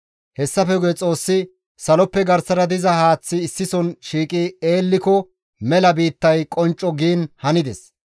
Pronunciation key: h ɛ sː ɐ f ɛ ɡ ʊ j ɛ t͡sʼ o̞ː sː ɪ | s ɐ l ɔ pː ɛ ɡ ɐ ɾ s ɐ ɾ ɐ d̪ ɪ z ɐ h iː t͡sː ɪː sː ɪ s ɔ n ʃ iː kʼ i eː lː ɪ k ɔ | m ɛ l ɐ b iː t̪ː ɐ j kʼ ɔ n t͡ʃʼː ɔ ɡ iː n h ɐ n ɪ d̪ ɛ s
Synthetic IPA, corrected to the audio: h ɛ sː ɐ f ɛ ɡ ʊ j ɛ t͡sʼ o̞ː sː ɪ | s ɐ l ɔ pː ɛ ɡ ɐ ɾ s ɐ ɾ ɐ d̪ ɪ z ɐ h aː t͡sː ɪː sː ɪ s ɔ n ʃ iː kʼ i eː lː ɪ k ɔ | m ɛ l ɐ b iː t̪ː ɐ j kʼ ɔ n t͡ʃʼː ɔ ɡ iː n h ɐ n ɪ d̪ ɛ s